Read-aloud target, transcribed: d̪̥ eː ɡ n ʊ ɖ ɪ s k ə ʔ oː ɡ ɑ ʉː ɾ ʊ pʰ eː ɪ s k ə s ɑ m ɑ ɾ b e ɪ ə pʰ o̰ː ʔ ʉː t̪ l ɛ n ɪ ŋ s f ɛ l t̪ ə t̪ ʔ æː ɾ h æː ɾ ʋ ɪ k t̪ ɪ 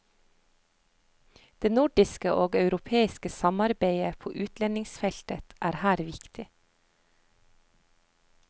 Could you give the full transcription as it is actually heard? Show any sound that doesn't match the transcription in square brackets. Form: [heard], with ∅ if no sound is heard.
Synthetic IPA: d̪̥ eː [∅] n ʊ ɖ ɪ s k ə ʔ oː ɡ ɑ [ʉ] ɾ ʊ pʰ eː ɪ s k ə s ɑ m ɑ ɾ b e ɪ ə pʰ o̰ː ʔ ʉː t̪ l ɛ n ɪ ŋ s f ɛ l t̪ ə t̪ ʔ æː ɾ h æː ɾ ʋ ɪ k t̪ ɪ